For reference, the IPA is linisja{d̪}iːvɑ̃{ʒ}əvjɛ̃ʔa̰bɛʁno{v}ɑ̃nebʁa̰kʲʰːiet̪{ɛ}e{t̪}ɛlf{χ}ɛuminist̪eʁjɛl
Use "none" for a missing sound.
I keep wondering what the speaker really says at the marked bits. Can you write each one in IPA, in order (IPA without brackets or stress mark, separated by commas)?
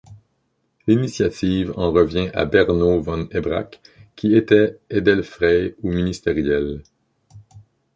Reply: t̪, ʁ, v, ɛ, d̪, ʁ